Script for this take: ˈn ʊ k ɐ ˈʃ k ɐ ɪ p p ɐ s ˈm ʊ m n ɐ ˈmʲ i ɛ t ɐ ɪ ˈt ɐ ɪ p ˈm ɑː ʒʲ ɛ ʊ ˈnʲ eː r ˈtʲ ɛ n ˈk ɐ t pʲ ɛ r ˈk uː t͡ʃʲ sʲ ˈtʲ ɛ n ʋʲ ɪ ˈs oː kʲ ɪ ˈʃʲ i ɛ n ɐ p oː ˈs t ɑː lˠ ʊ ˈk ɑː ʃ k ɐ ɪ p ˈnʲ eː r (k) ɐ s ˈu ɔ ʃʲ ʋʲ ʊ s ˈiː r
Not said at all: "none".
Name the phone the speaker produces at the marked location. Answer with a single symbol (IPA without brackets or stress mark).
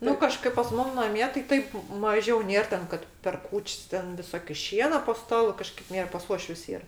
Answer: p